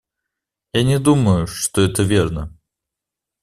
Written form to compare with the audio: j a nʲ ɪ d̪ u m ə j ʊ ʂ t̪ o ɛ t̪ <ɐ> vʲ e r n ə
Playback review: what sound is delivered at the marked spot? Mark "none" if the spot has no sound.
ə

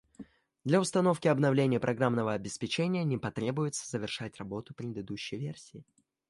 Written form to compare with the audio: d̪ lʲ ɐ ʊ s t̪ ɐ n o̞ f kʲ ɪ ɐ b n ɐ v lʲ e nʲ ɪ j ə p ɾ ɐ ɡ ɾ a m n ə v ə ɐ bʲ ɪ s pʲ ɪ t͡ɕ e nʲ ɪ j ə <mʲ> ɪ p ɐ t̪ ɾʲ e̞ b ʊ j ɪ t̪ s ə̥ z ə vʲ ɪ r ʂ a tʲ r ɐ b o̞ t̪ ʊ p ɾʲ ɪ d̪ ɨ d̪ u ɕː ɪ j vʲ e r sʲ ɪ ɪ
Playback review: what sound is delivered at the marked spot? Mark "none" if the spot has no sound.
nʲ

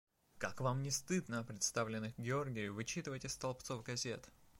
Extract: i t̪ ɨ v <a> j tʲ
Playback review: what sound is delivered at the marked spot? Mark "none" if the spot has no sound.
ə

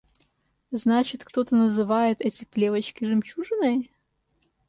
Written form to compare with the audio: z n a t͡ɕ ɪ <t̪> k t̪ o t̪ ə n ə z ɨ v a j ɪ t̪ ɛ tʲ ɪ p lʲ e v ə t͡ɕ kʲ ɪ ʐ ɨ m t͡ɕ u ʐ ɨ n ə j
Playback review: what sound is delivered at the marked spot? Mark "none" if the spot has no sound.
t̪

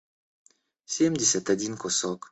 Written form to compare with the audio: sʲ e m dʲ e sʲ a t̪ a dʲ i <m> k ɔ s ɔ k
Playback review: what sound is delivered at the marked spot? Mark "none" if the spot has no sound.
n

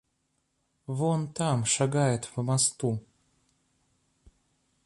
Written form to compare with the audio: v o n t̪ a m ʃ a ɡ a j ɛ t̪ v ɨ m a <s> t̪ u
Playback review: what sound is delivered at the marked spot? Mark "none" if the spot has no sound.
s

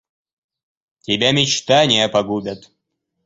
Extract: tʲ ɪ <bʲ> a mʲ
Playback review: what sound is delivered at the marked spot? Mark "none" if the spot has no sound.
bʲ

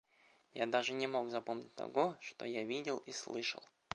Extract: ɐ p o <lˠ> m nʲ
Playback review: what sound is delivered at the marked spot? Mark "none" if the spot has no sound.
none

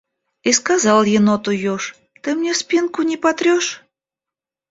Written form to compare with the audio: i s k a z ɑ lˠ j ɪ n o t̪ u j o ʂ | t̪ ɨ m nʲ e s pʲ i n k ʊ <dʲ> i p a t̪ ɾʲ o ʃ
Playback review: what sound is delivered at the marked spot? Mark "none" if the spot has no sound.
nʲ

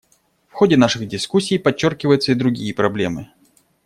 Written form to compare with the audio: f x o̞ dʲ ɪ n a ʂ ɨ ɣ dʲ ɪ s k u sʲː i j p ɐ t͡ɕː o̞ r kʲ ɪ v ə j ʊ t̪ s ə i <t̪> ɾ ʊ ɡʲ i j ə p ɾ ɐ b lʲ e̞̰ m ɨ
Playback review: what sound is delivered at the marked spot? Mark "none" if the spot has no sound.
d̪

